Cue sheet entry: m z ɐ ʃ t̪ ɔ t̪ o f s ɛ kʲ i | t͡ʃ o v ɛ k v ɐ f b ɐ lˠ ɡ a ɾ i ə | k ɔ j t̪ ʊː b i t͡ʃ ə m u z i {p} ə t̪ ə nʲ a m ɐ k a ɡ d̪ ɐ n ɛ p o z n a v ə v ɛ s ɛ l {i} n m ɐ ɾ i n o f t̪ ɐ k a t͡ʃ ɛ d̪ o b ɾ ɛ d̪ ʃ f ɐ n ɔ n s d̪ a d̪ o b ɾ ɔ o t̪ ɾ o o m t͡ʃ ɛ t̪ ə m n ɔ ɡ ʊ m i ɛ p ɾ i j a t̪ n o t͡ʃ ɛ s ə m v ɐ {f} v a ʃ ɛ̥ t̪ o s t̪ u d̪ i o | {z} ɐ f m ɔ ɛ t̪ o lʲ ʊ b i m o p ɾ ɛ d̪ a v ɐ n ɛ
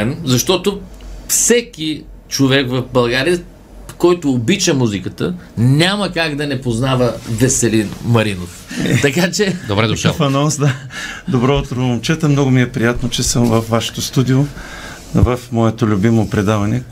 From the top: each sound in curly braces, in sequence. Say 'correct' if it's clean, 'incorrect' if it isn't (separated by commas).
incorrect, correct, correct, incorrect